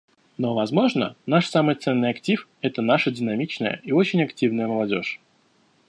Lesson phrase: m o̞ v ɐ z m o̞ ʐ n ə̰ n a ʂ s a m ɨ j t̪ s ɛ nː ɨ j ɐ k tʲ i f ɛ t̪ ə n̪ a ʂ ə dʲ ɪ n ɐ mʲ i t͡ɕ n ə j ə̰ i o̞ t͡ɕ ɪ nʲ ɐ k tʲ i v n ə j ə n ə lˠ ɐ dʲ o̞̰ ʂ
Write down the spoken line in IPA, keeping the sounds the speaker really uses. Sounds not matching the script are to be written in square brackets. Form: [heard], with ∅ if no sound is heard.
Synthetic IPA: [n] o̞ v ɐ z m o̞ ʐ n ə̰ n a ʂ s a m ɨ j t̪ s ɛ nː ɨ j ɐ k tʲ i f ɛ t̪ ə n̪ a ʂ ə dʲ ɪ n ɐ mʲ i t͡ɕ n ə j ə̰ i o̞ t͡ɕ ɪ nʲ ɐ k tʲ i v n ə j ə [m] ə lˠ ɐ dʲ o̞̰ ʂ